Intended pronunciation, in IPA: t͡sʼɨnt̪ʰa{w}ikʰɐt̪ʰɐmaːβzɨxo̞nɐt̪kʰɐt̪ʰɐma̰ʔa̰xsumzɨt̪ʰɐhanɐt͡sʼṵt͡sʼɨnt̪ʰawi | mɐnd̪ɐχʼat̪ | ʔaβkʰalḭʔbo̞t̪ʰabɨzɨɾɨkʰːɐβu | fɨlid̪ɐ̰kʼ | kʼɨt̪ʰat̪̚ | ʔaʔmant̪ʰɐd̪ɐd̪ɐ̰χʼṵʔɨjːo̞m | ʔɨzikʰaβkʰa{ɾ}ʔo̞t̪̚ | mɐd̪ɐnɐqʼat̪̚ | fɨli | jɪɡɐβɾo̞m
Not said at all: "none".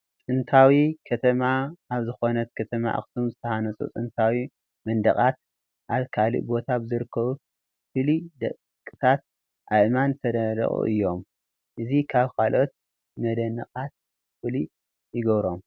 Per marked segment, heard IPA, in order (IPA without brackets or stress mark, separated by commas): w, l